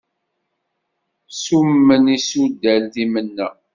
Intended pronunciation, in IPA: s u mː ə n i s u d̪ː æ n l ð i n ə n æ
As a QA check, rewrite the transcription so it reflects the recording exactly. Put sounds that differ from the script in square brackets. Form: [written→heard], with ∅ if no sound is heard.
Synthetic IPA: s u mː ə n i s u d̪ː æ [n→∅] l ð i [n→m] ə [n→nː] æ